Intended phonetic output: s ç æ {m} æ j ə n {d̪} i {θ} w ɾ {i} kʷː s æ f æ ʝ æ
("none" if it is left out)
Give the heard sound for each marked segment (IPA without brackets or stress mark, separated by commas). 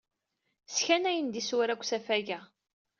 n, d̪, s, æ